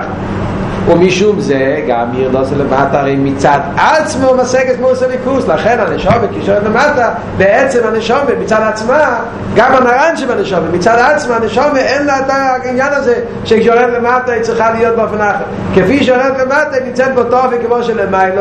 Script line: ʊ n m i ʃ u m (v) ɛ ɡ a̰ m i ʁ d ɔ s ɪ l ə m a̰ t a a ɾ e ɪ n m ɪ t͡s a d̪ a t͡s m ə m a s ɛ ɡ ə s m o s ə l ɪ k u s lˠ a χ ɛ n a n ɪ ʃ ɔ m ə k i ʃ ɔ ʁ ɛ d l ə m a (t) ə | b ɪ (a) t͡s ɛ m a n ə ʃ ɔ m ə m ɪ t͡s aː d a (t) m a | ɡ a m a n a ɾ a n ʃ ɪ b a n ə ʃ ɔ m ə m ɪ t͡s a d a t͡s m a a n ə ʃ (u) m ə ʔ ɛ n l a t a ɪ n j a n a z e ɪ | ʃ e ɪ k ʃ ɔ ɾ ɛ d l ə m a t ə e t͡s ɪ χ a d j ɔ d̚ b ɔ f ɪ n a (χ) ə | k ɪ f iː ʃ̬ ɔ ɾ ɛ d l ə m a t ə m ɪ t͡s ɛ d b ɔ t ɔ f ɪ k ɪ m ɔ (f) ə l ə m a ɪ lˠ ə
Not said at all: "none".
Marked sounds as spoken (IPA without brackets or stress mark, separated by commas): z, t, ɛ, t͡s, ɔ, χ, ʃ